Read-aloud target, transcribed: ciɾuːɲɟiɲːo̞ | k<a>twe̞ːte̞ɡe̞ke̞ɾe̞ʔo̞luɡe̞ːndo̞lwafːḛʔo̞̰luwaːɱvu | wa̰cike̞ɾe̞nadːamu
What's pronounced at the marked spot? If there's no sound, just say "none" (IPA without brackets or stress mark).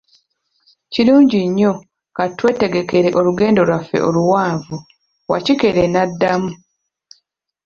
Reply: a